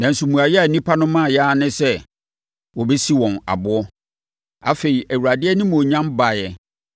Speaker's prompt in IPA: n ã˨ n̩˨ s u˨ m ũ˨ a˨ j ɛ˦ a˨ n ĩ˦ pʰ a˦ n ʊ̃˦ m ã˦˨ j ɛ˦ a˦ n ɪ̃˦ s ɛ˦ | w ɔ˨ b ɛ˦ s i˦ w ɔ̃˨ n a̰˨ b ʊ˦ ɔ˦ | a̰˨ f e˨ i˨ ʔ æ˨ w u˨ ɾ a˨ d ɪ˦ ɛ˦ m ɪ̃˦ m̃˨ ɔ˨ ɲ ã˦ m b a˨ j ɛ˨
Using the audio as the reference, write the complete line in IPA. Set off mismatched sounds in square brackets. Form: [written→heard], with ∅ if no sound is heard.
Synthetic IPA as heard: n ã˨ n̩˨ s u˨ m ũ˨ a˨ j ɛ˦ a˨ n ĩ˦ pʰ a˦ n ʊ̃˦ m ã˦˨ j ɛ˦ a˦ n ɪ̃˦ s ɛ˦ | w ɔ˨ b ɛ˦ s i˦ w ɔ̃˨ n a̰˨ b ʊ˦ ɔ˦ | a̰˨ f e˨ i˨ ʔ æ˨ w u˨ ɾ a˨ d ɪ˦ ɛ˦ [m→n] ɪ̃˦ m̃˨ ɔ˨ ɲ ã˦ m b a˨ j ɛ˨